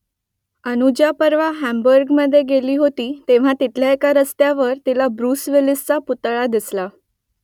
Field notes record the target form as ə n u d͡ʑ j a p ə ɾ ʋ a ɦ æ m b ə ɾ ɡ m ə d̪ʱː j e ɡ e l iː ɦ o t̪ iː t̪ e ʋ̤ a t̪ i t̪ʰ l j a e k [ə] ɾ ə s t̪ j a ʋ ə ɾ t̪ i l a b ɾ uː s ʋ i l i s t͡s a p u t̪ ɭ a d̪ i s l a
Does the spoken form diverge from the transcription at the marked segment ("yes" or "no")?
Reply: yes